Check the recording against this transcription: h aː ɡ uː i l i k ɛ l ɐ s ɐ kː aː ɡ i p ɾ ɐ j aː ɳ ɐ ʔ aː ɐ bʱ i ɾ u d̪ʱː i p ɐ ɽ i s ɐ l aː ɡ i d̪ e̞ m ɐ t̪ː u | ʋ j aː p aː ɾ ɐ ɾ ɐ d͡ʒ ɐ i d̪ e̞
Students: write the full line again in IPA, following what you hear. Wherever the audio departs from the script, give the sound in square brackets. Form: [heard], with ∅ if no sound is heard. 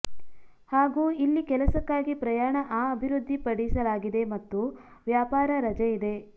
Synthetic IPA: h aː ɡ uː i [lː] i k ɛ l ɐ s ɐ kː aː ɡ i p ɾ ɐ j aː ɳ ɐ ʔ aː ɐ bʱ i ɾ u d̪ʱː i p ɐ ɽ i s ɐ l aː ɡ i d̪ e̞ m ɐ t̪ː u | ʋ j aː p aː ɾ ɐ ɾ ɐ d͡ʒ ɐ i d̪ e̞